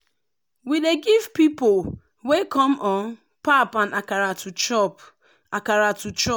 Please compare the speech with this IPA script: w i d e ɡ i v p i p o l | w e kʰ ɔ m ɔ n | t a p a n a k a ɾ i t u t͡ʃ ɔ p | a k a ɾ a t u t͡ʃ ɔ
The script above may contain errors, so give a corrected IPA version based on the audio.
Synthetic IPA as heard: w i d e ɡ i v p i p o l | w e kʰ ɔ m ɔ n | p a p a n a k a ɾ a t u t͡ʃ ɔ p | a k a ɾ a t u t͡ʃ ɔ